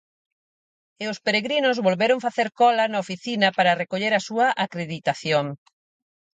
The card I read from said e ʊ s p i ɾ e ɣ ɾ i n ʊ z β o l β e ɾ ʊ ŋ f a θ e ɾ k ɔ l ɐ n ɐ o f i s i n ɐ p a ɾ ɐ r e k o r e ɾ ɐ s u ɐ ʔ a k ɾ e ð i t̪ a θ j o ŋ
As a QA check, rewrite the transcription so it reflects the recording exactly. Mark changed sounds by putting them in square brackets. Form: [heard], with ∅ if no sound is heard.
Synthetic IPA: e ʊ s p [e] ɾ e ɣ ɾ i n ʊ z β o l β e ɾ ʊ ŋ f a θ e ɾ k ɔ l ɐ n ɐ o f i [θ] i n ɐ p a ɾ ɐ r e k o [ʎ] e ɾ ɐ s u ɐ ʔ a k ɾ e ð i t̪ a θ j o ŋ